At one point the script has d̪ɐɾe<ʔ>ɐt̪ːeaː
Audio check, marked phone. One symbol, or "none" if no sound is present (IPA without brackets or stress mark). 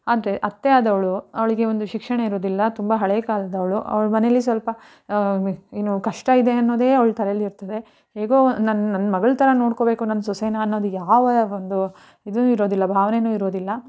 ʔ